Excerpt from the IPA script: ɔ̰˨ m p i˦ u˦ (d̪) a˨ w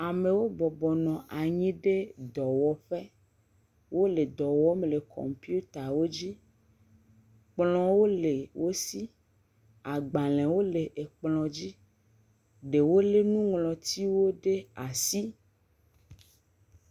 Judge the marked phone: incorrect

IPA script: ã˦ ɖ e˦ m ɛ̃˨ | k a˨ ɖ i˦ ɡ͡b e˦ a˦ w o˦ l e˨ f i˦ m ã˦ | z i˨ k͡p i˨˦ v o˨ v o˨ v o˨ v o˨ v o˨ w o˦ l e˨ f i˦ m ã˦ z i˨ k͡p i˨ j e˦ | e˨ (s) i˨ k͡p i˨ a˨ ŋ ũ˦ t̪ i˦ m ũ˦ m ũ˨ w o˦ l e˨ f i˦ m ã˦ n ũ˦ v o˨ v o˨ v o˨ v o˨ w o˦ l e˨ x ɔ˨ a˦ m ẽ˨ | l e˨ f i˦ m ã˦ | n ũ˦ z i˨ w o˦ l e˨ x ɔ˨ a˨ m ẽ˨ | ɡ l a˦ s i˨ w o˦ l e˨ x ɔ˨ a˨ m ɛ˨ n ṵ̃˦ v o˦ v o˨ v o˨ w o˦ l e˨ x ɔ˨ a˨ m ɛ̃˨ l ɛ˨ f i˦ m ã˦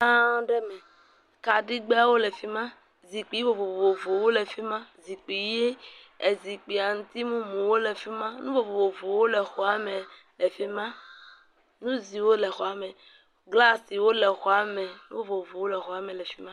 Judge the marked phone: incorrect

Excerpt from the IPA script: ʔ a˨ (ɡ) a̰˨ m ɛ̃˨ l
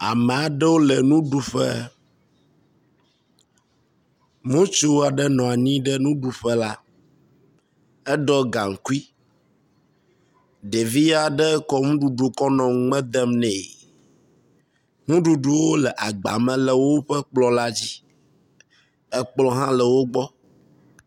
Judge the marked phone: incorrect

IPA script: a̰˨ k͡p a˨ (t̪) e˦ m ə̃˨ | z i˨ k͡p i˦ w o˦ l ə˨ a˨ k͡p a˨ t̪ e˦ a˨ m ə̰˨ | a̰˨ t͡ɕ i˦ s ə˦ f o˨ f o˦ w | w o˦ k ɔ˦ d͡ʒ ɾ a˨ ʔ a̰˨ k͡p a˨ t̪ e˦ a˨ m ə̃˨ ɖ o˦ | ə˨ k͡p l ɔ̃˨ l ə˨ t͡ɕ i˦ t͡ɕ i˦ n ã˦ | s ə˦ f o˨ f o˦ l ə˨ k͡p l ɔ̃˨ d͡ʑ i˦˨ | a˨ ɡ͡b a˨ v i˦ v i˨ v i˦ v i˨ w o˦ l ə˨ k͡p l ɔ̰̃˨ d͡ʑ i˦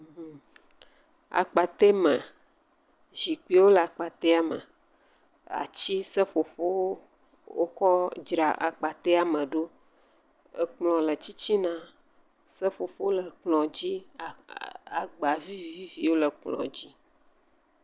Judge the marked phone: correct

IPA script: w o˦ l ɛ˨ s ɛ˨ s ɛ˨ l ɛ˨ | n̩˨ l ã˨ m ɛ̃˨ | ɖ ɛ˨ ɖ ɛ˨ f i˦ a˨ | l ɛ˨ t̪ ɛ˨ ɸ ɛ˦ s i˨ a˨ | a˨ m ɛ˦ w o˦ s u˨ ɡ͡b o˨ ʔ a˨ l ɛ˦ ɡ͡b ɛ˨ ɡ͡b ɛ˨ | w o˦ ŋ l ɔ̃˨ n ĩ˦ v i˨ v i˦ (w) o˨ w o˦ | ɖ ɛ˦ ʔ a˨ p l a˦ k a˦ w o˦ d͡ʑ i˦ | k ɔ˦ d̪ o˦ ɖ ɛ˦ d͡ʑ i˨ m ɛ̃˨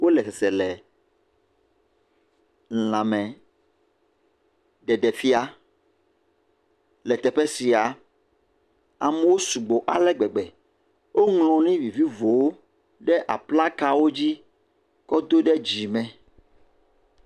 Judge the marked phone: incorrect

